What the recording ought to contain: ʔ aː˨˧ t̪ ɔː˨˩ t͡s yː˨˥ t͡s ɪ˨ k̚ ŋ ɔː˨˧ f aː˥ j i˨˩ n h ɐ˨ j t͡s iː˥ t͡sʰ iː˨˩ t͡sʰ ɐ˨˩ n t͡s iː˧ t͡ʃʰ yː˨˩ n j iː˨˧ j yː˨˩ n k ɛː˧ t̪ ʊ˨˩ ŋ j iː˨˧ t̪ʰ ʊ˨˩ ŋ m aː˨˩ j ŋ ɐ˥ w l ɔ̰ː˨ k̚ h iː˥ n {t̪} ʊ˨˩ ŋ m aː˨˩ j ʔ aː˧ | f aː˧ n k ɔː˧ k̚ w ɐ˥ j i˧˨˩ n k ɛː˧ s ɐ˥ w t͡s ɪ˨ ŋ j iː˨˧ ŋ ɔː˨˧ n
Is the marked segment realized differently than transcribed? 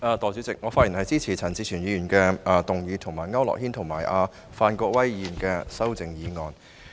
yes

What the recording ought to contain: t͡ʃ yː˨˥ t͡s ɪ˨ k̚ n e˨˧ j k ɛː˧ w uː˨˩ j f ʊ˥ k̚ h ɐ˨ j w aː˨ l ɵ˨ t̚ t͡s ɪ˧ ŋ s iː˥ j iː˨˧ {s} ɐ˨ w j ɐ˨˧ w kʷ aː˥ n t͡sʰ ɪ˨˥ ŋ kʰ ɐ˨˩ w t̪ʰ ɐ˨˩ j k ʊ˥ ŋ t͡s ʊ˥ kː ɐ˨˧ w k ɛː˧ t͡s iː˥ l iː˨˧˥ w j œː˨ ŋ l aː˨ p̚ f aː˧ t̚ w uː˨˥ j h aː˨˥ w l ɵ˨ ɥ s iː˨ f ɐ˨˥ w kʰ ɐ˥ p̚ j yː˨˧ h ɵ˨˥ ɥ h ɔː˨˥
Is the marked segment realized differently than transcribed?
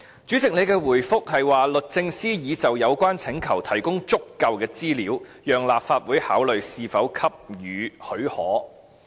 yes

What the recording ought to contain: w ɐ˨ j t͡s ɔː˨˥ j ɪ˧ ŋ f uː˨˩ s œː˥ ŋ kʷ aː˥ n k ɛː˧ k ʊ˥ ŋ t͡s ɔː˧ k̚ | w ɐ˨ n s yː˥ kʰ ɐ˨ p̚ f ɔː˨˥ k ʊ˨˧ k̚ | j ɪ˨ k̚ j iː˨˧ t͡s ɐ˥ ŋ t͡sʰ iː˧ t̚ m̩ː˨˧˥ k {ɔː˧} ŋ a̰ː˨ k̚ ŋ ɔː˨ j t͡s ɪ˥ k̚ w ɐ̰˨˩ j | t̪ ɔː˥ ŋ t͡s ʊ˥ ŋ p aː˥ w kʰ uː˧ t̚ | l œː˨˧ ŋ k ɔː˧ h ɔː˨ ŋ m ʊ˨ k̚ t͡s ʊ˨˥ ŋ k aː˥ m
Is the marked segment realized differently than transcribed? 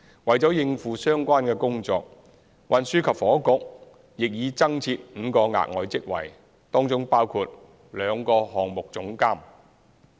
no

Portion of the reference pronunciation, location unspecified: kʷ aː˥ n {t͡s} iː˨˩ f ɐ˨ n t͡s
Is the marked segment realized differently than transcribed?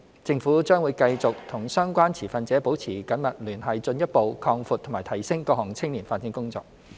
yes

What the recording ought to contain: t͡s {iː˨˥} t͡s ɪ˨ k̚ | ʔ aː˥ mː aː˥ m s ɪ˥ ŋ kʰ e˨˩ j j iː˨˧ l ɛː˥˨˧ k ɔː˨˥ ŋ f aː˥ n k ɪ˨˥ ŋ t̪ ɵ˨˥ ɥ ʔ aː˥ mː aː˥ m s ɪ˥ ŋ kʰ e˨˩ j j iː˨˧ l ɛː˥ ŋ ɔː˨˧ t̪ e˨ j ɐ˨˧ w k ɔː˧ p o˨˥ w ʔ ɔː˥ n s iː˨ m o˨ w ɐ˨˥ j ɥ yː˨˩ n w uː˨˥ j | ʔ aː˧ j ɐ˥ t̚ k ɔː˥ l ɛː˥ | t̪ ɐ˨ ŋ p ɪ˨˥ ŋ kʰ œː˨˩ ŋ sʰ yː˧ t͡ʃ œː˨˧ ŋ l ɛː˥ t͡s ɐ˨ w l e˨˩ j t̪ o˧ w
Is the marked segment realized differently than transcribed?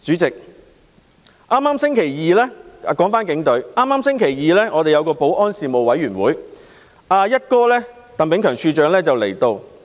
yes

